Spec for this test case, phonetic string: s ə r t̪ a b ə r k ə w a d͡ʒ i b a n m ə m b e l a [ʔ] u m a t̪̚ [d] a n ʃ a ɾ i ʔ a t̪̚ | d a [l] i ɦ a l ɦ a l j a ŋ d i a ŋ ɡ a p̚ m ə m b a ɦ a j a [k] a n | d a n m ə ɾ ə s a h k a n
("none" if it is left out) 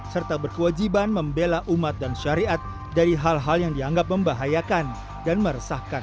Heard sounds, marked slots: ʔ, d, ɾ, k

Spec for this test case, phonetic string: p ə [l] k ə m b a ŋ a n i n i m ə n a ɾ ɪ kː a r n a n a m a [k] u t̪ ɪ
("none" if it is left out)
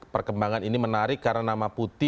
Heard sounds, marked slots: r, p

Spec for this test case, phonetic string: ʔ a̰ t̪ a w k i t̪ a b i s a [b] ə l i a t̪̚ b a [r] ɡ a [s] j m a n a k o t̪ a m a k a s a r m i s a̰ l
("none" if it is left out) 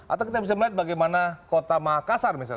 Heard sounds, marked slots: m, none, none

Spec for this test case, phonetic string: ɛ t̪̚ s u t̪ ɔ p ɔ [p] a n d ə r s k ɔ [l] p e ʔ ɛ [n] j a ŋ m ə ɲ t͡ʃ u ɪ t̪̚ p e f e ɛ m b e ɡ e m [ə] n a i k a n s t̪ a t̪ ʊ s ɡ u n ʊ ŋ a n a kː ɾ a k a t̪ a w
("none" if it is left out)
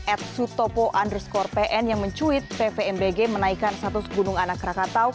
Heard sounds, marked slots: ʔ, r, n, ə

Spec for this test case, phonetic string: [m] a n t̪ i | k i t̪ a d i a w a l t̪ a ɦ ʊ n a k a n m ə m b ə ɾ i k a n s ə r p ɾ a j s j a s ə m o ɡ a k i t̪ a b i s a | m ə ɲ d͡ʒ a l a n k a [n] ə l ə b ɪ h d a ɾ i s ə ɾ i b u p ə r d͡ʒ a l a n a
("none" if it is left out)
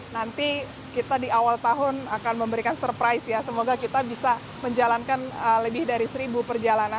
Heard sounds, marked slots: n, n

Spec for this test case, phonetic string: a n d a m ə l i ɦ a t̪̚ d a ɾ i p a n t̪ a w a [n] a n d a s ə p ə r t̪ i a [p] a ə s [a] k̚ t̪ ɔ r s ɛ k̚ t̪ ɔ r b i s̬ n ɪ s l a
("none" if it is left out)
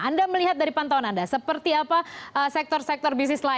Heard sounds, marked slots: n, p, ɛ

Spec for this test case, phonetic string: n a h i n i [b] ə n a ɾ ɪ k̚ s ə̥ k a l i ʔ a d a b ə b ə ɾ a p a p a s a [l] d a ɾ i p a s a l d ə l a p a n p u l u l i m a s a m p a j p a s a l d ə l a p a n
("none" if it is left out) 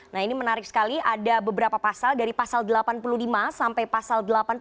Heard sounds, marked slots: m, l

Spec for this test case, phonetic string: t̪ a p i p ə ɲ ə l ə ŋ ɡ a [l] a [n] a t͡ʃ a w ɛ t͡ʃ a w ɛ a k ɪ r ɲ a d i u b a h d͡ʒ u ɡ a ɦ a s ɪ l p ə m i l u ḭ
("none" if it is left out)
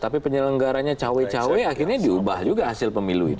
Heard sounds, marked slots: ɾ, ɲ

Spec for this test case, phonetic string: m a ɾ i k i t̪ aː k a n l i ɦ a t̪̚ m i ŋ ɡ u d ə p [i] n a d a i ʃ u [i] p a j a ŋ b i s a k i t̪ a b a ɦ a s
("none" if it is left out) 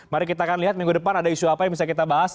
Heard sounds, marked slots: a, a

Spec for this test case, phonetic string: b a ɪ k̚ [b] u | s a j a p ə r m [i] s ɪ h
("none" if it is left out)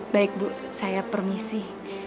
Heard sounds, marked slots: b, i

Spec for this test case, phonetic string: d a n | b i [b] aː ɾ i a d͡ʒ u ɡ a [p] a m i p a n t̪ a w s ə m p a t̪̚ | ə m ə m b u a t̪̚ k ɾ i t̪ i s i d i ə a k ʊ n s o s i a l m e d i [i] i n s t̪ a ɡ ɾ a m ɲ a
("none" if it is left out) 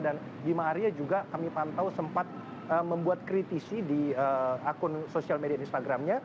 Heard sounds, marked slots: m, k, a

